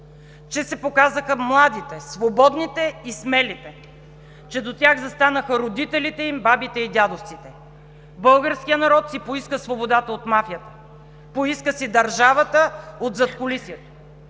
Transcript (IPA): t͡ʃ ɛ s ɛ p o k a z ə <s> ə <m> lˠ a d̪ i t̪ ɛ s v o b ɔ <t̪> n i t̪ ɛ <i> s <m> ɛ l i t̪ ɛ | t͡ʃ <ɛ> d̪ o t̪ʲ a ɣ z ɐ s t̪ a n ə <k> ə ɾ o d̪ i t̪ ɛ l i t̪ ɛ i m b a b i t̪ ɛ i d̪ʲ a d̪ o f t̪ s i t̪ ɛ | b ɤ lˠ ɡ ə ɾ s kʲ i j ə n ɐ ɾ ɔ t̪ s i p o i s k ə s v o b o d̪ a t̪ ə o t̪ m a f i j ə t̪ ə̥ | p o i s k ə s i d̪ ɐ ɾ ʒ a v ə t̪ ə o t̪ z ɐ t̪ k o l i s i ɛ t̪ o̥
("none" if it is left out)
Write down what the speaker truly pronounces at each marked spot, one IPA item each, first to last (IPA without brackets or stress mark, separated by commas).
x, m, d̪, i, m, ɛ, x